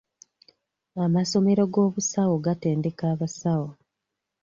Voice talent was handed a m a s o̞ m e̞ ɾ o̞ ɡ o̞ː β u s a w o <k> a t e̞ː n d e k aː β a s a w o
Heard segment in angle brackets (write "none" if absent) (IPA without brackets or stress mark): ɡ